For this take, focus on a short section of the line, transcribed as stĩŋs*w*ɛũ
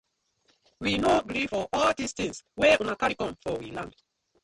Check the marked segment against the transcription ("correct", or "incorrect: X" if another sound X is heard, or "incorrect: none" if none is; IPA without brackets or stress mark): correct